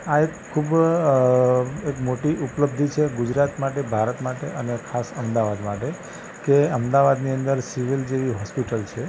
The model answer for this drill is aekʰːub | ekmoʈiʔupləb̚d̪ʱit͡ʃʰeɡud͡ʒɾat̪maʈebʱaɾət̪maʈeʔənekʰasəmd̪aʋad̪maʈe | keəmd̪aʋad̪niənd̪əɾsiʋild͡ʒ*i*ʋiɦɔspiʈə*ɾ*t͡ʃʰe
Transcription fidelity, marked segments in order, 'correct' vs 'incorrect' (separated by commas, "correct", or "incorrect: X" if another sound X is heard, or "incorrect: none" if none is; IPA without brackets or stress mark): incorrect: e, incorrect: l